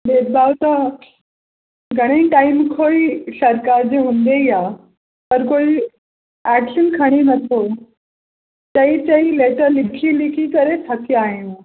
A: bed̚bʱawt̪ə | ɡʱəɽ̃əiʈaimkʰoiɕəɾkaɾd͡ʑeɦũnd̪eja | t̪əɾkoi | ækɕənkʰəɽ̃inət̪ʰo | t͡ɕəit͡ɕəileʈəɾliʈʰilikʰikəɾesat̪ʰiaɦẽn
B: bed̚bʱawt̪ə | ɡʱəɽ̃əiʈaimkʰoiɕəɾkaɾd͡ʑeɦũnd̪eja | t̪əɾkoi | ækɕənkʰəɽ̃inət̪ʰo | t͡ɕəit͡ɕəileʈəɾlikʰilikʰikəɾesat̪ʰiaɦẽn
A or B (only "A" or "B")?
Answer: B